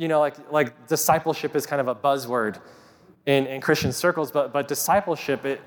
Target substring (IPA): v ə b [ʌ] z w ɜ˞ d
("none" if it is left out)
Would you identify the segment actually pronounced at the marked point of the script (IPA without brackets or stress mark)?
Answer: ʌ